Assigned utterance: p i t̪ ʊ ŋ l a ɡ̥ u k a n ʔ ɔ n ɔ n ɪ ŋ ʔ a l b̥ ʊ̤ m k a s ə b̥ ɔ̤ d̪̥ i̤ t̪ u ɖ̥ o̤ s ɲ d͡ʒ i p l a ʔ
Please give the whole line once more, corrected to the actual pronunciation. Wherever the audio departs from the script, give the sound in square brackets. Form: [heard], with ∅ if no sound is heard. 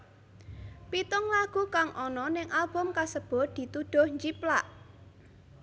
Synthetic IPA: p i t̪ ʊ ŋ l a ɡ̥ u k a [ŋ] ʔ ɔ n ɔ n ɪ ŋ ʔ a l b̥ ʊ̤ m k a s ə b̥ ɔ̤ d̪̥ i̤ t̪ u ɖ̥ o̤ [h] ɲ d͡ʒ i p l a ʔ